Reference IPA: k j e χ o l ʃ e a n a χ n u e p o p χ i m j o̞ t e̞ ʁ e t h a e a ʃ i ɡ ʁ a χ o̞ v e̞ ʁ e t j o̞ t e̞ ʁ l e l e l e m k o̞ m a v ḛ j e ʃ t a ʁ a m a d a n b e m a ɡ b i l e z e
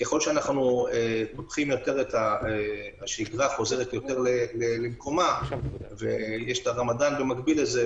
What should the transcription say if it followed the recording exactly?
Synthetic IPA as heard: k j e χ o l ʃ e a n a χ n u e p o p χ i m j o̞ t e̞ ʁ e t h a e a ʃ i ɡ ʁ a χ o̞ z e̞ ʁ e t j o̞ t e̞ ʁ l e l e l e m k o̞ m a v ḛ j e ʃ t a ʁ a m a d a n b e m a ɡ b i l e z e